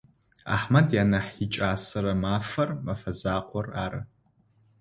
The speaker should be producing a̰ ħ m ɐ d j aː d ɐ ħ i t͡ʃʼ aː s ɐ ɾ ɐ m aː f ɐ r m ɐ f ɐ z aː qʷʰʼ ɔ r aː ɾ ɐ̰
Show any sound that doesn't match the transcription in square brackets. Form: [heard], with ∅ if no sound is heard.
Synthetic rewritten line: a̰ ħ m ɐ d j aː [n] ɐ ħ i t͡ʃʼ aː s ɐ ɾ ɐ m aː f ɐ r m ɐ f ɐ z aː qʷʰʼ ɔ r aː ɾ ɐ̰